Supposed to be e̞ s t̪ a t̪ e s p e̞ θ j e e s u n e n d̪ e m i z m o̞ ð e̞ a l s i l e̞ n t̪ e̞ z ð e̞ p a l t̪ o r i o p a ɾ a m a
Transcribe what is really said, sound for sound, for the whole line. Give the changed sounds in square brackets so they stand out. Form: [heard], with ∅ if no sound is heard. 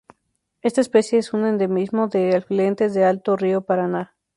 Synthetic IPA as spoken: e̞ s t̪ a [∅] e s p e̞ [s] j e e s u n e n d̪ e m i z m o̞ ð e̞ a l [f] i l e̞ n t̪ e̞ z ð e̞ [∅] a l t̪ o r i o p a ɾ a [n] a